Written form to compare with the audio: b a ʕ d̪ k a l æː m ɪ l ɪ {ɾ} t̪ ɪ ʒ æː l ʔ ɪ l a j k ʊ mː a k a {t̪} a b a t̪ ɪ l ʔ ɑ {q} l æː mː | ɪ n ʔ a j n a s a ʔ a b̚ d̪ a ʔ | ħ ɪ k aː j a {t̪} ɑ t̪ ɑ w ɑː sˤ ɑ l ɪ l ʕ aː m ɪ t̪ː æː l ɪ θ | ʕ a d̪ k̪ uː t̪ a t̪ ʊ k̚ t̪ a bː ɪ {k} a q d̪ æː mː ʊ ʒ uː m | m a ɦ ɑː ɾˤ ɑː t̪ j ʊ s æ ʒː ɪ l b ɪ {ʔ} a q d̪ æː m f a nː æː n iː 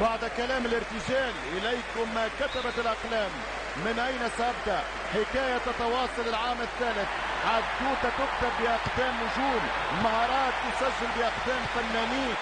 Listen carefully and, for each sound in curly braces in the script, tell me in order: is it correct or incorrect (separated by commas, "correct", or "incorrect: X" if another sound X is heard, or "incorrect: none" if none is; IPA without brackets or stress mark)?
correct, correct, correct, correct, incorrect: ʔ, correct